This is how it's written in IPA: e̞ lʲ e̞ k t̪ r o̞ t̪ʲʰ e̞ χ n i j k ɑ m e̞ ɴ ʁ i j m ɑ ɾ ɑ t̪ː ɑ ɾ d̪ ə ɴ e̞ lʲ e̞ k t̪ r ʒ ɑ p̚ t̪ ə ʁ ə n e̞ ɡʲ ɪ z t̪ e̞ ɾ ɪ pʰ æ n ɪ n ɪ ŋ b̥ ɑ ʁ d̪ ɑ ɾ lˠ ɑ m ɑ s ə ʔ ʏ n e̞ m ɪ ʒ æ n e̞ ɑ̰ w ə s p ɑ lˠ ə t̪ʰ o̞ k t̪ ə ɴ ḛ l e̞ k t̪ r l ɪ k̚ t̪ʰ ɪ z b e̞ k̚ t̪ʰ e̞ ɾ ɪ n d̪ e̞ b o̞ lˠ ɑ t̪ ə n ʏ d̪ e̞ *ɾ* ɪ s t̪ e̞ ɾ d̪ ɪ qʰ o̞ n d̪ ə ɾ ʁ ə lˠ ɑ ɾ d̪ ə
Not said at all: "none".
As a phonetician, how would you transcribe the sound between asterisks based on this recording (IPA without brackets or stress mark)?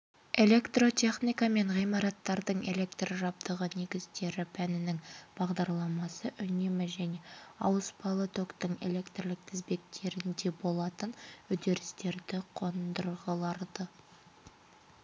ɾ